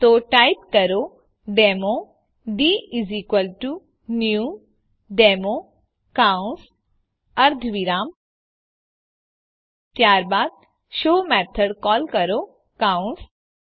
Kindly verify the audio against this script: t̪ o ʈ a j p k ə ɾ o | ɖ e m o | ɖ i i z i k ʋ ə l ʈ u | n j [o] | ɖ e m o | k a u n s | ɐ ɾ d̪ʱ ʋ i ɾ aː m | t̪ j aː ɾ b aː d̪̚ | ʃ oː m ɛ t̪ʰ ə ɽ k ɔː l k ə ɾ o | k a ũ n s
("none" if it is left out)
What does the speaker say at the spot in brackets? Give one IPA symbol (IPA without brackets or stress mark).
u